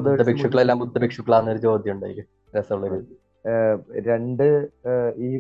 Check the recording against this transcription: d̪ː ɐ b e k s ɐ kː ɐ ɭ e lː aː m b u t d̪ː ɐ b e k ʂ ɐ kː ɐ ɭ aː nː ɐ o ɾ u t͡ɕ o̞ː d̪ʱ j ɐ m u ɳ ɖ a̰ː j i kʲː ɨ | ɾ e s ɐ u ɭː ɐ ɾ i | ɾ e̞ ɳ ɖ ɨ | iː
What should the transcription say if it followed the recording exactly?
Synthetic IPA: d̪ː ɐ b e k ʂ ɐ kː ɐ ɭ e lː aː m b u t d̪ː ɐ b e k ʂ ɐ kː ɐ ɭ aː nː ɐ o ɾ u t͡ɕ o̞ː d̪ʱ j ɐ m u ɳ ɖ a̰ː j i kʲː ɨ | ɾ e s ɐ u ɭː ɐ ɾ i | ɾ e̞ ɳ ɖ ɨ | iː